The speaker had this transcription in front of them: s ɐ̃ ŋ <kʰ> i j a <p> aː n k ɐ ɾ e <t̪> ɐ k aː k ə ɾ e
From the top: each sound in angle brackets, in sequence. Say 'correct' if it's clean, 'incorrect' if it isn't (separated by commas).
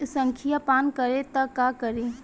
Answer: correct, correct, correct